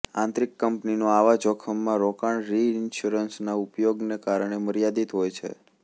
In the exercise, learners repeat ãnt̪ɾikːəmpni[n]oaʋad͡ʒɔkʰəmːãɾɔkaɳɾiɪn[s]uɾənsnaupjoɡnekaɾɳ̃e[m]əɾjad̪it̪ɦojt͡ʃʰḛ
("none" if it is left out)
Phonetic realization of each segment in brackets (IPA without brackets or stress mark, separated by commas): n, ʃ, m